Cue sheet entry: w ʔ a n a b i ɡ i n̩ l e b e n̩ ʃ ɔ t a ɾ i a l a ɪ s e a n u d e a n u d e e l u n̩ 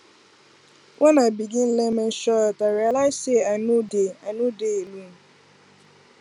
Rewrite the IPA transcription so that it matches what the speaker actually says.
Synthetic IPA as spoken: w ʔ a n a b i ɡ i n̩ l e m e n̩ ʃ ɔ t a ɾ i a l a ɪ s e a n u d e a n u d e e l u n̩